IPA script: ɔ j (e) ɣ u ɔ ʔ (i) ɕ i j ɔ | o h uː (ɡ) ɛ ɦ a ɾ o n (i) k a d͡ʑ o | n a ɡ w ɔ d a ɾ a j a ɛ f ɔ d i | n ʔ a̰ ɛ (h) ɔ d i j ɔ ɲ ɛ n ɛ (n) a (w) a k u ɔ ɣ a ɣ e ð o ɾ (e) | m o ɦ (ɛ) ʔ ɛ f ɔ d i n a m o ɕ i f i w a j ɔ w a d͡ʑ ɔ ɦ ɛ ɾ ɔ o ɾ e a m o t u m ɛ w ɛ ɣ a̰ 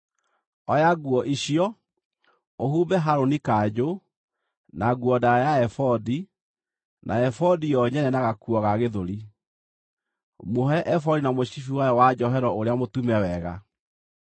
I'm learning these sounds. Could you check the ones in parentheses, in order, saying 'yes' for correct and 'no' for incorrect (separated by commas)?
no, yes, no, yes, no, yes, no, no, yes